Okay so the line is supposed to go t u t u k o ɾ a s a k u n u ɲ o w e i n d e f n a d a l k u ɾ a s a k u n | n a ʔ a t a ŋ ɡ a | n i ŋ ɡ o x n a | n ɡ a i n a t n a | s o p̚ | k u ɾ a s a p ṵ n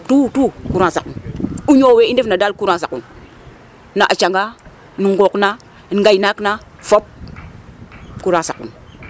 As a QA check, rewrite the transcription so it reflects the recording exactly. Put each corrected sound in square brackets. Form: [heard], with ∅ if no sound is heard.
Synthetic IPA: t u t u k [u] ɾ a s a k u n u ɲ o w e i n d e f n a d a l k u ɾ a s a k u n | n a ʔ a [t͡ʃ] a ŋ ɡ a | n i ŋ ɡ o [k] n a | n ɡ a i n a [k] n a | [f] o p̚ | k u ɾ a s a [k] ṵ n

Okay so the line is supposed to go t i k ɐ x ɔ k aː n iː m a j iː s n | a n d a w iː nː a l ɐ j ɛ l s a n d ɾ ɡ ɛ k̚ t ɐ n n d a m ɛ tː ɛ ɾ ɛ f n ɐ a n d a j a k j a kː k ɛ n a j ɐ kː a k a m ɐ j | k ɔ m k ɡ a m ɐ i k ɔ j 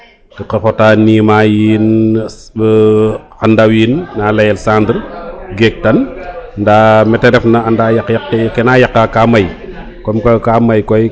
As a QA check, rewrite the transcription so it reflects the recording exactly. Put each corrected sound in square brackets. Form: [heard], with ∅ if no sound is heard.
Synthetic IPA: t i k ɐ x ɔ [t] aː n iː m a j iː [∅] n | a n d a w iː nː a l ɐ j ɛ l s a n d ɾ ɡ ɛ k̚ t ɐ n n d a m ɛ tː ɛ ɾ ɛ f n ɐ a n d a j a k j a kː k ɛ n a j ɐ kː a k a m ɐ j | k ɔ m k [k] a m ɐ [j] k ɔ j

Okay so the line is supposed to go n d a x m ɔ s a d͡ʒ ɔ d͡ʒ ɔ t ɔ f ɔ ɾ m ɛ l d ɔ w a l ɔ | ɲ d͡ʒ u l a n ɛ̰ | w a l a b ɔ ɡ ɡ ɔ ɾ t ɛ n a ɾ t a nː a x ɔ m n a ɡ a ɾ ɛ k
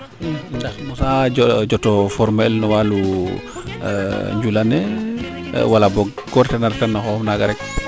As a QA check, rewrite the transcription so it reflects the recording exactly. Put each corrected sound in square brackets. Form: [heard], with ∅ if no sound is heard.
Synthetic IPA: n d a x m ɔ s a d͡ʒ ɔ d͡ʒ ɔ t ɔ f ɔ ɾ m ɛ l [n] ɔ w a l [u] | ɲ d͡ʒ u l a n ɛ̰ | w a l a b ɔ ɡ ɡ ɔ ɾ t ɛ n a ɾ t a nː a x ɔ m n a ɡ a ɾ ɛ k

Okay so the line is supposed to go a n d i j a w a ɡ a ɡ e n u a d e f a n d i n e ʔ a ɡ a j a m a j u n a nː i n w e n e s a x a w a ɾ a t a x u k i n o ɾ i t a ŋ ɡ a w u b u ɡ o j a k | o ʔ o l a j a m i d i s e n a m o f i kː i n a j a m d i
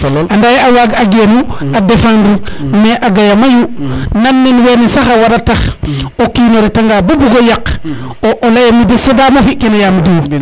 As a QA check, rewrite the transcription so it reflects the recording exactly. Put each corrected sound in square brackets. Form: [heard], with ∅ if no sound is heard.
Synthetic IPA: a n d [a] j a w a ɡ a ɡ e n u a d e f a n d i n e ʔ a ɡ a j a m a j u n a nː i n w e n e s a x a w a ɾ a t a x [o] k i n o ɾ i t a ŋ ɡ a [b] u b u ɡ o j a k | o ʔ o l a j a m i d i s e [d] a m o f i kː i n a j a m d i

